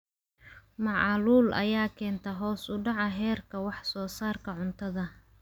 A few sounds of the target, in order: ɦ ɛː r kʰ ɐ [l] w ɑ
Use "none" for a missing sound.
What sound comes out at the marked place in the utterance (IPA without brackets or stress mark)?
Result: none